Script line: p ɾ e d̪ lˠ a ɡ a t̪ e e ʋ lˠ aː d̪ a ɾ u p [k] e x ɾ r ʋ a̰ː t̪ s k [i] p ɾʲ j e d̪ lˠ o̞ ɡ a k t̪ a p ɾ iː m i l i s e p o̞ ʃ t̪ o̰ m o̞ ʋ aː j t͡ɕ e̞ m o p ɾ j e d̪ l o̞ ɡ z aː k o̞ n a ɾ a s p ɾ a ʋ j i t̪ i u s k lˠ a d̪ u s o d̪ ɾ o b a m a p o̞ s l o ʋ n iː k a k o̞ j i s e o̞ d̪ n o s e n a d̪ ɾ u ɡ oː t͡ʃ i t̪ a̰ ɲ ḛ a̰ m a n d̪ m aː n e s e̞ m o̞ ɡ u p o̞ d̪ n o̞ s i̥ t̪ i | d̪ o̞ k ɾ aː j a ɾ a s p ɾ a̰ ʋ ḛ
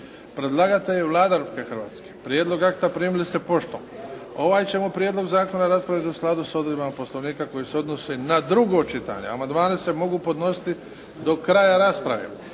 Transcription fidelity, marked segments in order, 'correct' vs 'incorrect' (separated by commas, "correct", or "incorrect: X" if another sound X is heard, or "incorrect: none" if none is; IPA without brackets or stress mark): correct, incorrect: e